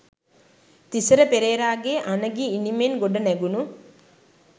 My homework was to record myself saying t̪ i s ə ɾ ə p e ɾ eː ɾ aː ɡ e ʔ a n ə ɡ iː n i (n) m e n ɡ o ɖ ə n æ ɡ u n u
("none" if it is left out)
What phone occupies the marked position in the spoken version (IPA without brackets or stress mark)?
none